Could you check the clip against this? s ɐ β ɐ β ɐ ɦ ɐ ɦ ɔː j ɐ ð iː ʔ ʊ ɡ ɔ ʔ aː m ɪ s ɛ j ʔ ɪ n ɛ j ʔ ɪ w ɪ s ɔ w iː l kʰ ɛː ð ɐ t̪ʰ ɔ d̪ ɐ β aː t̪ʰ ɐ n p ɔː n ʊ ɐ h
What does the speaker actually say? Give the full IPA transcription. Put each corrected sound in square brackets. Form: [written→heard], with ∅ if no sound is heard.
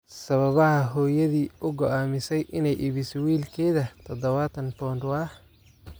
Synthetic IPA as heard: s ɐ β ɐ β ɐ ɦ ɐ ɦ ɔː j ɐ ð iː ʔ ʊ ɡ ɔ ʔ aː m ɪ s ɛ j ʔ ɪ n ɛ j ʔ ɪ [w→β] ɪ s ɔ w iː l kʰ ɛː ð ɐ t̪ʰ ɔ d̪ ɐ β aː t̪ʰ ɐ n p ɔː n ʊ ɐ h